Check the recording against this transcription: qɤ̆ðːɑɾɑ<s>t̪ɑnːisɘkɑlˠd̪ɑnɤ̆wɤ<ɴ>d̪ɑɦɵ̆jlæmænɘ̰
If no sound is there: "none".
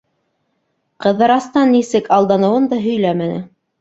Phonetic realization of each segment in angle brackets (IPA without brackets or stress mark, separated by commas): s, n